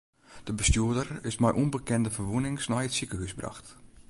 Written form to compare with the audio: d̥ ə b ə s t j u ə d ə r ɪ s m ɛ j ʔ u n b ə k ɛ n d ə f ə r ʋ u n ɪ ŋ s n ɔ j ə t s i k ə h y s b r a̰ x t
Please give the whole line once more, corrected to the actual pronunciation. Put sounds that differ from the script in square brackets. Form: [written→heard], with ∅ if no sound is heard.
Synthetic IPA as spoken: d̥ ə b ə s t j u ə d ə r ɪ s m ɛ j ʔ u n b ə k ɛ n d ə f ə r ʋ u n ɪ ŋ s n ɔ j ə t s i k ə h y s b r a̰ x t